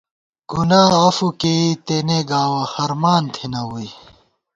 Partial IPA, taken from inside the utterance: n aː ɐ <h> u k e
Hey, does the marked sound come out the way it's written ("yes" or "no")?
no